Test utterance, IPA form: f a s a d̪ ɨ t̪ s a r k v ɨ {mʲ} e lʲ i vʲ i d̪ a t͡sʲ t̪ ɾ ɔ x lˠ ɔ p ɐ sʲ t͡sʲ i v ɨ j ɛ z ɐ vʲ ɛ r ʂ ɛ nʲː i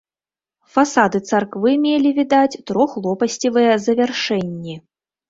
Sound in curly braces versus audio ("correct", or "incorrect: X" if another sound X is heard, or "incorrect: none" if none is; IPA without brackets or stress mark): correct